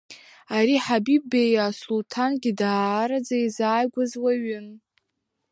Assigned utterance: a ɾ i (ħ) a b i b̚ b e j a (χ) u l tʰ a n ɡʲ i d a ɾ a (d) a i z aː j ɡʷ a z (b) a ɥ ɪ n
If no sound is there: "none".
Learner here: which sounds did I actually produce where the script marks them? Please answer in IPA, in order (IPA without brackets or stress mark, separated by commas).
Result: ħ, s, d͡z, w